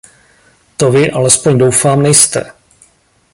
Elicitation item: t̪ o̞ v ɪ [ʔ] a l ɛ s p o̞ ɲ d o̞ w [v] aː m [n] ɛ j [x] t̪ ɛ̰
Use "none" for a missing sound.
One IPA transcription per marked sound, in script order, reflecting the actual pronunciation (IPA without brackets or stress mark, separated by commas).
ʔ, f, n, s